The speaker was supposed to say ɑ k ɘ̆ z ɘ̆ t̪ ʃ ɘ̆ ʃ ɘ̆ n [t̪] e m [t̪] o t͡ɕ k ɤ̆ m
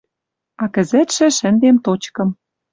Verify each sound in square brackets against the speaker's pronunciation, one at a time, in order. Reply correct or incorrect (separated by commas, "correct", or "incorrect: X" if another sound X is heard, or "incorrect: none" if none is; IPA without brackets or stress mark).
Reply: incorrect: d̪, correct